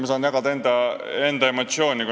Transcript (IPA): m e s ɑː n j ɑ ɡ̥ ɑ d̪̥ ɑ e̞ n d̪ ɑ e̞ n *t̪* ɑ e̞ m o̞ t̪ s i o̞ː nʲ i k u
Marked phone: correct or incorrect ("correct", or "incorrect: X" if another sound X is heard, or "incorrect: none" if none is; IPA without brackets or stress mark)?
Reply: incorrect: d̪